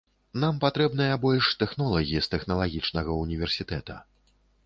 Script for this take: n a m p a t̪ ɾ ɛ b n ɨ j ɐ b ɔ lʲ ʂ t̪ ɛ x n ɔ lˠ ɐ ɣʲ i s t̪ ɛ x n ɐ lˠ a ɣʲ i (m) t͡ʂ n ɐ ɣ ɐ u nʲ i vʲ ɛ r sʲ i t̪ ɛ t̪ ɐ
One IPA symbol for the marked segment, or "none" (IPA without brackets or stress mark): none